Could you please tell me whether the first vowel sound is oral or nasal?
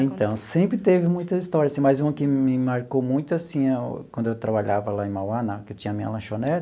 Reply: nasal